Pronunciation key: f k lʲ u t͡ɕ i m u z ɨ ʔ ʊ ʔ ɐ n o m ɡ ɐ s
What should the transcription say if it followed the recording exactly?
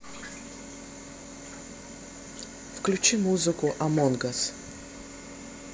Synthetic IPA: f k lʲ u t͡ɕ i m u z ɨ k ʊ ʔ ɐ m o n ɡ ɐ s

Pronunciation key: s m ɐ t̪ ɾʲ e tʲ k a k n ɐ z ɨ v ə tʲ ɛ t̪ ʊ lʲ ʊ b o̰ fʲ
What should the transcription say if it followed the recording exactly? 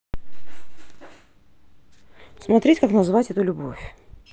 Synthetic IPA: s m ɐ t̪ ɾʲ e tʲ k a k n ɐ z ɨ v a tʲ ɛ t̪ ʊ lʲ ʊ b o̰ fʲ

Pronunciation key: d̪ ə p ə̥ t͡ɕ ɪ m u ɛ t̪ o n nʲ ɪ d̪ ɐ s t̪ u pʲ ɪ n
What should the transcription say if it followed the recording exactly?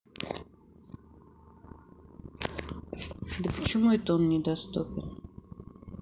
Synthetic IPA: d̪ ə p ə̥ t͡ɕ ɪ m u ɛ t̪ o n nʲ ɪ d̪ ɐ s t̪ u pʲ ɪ n

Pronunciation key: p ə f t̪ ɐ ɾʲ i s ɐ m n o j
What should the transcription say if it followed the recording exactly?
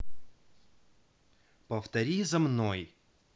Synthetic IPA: p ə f t̪ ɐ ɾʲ i z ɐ m n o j

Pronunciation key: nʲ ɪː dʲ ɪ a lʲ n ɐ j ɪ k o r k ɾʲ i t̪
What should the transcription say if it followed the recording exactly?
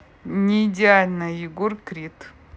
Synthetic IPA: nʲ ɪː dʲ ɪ a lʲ n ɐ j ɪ ɡ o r k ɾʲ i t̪

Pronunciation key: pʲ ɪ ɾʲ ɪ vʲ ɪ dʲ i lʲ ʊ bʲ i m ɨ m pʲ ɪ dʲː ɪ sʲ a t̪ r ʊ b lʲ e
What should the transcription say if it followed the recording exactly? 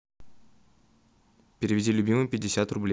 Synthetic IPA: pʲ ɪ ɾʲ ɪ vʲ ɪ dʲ i lʲ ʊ bʲ i m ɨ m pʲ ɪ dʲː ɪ sʲ a t̪ r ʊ b lʲ e

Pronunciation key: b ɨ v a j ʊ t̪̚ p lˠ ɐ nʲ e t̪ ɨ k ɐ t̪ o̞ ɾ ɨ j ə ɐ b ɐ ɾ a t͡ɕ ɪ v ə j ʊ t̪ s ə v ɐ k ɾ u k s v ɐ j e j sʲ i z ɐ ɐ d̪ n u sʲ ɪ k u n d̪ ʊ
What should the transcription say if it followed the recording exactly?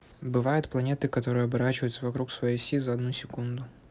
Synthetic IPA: b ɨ v a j ʊ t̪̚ p lˠ ɐ nʲ e t̪ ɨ k ɐ t̪ o̞ ɾ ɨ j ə ɐ b ɐ ɾ a t͡ɕ ɪ v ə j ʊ t̪ s ə v ɐ k ɾ u k s v ɐ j e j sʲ i z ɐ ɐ d̪ n u sʲ ɪ k u n d̪ ʊ

